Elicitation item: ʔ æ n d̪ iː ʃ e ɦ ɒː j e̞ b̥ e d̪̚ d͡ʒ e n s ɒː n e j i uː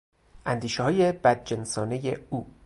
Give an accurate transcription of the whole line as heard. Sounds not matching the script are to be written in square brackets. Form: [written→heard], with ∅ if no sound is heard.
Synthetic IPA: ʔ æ n d̪ iː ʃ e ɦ ɒː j e̞ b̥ [e→æ] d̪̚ d͡ʒ e n s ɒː n e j [i→e] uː

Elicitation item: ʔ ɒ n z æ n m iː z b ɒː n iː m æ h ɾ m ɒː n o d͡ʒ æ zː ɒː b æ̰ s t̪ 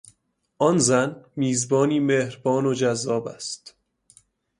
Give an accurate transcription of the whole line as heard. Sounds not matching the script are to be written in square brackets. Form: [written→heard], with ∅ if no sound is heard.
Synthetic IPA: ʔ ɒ n z æ n m iː z b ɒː n iː m [æ→e] h ɾ [m→b] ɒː n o d͡ʒ æ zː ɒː b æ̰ s t̪

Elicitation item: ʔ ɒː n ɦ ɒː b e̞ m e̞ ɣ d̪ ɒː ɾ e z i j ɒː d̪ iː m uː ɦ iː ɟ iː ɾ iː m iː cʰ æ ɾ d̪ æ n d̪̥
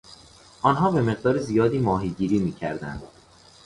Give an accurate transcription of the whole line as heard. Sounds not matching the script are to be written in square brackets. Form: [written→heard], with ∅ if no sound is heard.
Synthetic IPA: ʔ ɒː n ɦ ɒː b e̞ m e̞ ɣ d̪ ɒː ɾ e z i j ɒː d̪ iː m [uː→ɒː] ɦ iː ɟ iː ɾ iː m iː cʰ æ ɾ d̪ æ n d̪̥

